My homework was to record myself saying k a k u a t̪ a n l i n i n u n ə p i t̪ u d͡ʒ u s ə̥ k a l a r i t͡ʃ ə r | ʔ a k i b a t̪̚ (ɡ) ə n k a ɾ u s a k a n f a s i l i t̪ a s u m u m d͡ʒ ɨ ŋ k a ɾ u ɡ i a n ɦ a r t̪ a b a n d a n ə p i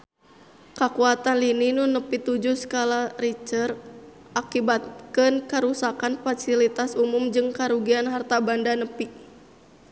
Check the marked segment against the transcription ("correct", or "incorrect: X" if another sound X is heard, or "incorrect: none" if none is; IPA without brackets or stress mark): incorrect: k